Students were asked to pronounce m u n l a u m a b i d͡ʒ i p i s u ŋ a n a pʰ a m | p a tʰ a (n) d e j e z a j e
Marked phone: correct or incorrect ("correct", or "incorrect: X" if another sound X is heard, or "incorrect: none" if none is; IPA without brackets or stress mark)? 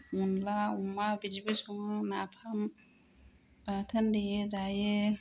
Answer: correct